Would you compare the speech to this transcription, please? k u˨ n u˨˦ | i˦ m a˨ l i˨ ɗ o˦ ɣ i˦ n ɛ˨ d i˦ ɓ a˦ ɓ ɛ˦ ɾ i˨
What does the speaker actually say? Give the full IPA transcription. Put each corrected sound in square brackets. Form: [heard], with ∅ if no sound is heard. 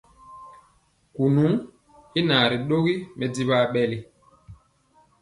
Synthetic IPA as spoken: k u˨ n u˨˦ | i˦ [n] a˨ [ɾ] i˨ ɗ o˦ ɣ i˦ [m] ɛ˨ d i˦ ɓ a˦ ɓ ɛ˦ [l] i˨